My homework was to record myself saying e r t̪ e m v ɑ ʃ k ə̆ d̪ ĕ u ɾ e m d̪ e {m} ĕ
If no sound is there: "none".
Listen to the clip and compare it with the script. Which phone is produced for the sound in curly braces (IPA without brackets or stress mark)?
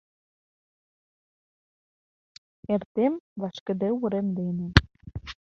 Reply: n